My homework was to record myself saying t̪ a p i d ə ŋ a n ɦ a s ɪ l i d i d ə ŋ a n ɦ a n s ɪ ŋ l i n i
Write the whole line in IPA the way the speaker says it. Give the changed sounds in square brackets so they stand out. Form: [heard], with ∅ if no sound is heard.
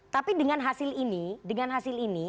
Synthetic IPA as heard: t̪ a p i d ə ŋ a n ɦ a s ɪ l i [n] i d ə ŋ a n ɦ a [∅] s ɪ [∅] l i n i